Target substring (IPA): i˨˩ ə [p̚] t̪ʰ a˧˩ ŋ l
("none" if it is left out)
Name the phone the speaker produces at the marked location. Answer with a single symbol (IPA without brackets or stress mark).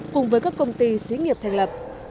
p̚